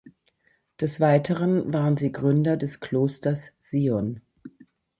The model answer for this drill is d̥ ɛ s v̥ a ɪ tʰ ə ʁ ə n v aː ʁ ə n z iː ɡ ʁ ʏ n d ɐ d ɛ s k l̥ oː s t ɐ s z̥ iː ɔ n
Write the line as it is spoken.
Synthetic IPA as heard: d̥ ɛ s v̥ a ɪ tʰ ə ʁ ə n v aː ʁ ə n z iː ɡ ʁ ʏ n d ɐ d ɛ s k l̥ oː s t ɐ s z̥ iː ɔ n